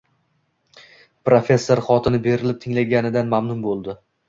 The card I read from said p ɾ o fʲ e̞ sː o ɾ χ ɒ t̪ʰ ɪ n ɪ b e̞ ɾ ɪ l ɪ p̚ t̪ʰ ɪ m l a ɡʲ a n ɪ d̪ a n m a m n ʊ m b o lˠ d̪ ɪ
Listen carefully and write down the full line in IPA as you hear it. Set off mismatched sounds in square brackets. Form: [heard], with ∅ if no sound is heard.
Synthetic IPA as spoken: p ɾ o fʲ e̞ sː o ɾ χ ɒ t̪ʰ ɪ n ɪ b e̞ ɾ ɪ l ɪ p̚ t̪ʰ ɪ [ŋ] l a ɡʲ a n ɪ d̪ a n m a m n ʊ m b o lˠ d̪ ɪ

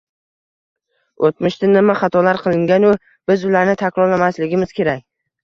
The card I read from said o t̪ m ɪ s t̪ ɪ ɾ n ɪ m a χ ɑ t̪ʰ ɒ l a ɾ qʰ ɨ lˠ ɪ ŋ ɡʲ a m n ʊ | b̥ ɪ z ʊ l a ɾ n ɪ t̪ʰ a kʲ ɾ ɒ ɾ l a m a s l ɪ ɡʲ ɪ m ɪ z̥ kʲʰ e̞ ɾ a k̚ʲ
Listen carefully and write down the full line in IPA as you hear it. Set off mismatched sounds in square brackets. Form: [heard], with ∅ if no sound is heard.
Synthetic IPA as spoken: o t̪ m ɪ [ʃ] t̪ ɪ [∅] n ɪ m a χ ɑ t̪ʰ ɒ l a ɾ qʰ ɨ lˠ ɪ ŋ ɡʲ a [∅] n ʊ | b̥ ɪ z ʊ l a ɾ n ɪ t̪ʰ a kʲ ɾ ɒ ɾ l a m a s l ɪ ɡʲ ɪ m ɪ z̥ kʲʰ e̞ ɾ a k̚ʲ

